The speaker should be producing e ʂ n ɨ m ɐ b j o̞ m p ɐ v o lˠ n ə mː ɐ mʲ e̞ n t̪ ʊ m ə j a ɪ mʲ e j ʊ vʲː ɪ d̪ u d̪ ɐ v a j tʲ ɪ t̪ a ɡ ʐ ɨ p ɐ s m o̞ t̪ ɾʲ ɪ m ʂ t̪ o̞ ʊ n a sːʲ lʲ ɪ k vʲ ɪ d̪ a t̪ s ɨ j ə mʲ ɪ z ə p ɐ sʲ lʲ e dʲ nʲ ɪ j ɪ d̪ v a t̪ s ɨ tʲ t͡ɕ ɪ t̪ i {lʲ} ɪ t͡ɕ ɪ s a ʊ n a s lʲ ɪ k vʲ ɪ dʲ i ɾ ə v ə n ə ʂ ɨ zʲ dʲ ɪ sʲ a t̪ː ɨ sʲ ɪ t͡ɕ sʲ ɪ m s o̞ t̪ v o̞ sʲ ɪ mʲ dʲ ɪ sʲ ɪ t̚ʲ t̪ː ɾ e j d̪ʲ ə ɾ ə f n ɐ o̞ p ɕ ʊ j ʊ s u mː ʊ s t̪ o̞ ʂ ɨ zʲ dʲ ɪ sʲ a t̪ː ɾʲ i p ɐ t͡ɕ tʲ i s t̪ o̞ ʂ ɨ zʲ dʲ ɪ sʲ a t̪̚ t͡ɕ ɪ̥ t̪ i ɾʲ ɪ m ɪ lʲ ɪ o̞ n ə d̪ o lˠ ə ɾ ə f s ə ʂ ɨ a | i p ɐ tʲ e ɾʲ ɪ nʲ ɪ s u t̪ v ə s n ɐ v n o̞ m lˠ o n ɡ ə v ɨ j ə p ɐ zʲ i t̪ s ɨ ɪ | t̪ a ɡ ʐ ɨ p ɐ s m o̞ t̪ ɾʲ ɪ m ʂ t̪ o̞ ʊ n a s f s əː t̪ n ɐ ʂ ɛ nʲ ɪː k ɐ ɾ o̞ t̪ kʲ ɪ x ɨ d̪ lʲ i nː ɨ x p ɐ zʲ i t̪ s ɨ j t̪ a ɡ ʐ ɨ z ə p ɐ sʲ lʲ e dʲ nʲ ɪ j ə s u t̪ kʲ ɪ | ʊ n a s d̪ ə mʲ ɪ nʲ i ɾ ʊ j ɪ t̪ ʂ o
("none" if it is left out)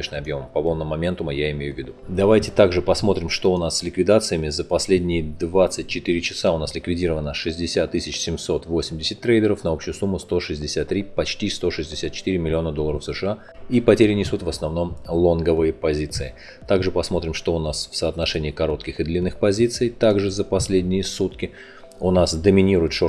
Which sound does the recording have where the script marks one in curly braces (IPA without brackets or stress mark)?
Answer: ɾʲ